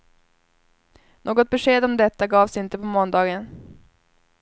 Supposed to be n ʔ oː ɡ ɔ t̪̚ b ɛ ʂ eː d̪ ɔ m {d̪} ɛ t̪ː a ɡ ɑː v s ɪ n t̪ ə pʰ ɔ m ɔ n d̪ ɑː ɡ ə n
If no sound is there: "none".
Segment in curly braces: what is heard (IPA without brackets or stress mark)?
d̪